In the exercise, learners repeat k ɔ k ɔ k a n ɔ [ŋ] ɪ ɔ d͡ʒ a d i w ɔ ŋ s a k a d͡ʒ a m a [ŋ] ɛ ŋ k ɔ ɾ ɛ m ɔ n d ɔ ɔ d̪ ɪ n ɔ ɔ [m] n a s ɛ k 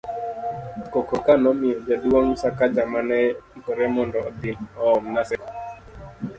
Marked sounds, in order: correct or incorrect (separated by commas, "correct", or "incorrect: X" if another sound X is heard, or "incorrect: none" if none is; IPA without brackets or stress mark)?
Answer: incorrect: m, incorrect: n, correct